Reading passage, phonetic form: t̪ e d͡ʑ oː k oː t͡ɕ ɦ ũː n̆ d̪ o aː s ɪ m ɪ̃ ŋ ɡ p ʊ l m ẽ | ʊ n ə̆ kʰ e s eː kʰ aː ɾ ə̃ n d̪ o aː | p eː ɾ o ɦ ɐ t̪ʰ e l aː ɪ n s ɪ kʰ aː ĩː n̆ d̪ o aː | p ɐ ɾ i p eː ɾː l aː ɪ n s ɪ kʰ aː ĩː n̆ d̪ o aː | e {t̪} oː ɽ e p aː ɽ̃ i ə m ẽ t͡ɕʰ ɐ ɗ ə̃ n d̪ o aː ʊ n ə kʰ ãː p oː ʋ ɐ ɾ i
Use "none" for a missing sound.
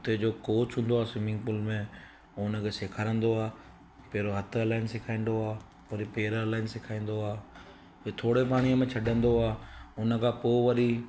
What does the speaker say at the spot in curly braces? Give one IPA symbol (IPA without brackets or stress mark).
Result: t̪ʰ